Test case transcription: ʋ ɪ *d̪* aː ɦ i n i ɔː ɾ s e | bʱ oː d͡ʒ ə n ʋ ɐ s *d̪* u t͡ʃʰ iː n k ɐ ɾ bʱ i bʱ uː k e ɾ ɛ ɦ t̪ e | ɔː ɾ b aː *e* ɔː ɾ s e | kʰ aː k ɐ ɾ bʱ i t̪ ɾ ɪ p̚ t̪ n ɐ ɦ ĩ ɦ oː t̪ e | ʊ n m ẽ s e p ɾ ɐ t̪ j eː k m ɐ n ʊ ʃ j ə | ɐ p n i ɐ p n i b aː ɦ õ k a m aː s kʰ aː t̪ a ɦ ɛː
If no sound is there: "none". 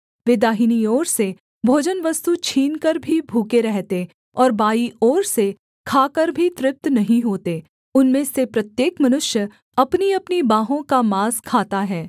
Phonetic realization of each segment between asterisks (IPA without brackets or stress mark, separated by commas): d̪, t̪, i